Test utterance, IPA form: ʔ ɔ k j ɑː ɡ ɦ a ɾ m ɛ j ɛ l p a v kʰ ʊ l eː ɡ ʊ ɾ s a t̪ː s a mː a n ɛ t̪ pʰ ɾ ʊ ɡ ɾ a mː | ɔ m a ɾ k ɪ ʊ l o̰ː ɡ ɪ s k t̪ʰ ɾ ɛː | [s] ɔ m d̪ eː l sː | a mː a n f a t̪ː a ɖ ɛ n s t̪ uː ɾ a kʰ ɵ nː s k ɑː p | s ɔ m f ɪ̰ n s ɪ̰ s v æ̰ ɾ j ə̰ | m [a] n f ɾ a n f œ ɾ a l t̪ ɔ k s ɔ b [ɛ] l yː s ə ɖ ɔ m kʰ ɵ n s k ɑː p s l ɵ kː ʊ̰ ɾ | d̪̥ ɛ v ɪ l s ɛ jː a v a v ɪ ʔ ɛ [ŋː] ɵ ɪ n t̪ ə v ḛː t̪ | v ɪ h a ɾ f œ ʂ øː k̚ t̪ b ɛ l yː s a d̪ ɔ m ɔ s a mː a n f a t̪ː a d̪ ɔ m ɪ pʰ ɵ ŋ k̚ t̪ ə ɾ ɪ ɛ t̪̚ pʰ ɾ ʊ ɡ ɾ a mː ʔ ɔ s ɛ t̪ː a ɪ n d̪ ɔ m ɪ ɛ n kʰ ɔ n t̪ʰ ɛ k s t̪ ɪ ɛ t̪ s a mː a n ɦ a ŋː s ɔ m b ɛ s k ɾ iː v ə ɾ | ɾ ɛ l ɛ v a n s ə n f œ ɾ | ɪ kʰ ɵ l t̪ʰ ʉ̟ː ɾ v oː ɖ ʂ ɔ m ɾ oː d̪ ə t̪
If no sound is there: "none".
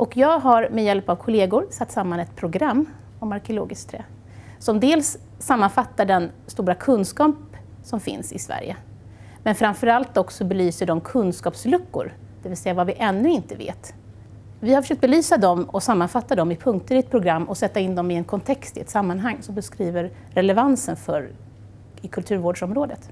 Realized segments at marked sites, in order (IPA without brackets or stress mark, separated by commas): s, ɛ, ɛ, nː